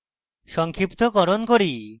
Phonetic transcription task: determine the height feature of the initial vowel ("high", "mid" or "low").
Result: mid